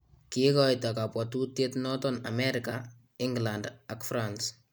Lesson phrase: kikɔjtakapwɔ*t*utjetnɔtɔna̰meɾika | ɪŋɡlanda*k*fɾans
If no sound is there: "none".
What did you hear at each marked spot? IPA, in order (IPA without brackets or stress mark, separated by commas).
t, k